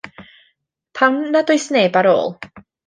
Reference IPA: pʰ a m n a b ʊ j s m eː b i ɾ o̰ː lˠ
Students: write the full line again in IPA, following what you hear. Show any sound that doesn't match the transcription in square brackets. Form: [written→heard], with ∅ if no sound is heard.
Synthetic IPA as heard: pʰ a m n a [b→d] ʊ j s [m→n] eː b [i→a] ɾ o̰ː lˠ